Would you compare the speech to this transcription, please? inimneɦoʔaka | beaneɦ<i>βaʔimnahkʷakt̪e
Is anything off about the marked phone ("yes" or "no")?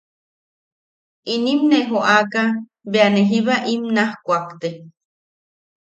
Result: no